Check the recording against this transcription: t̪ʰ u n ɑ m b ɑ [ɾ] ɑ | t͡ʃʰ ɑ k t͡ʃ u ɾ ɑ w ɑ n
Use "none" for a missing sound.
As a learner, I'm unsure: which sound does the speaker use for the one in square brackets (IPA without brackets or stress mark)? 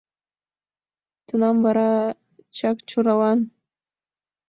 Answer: ɾ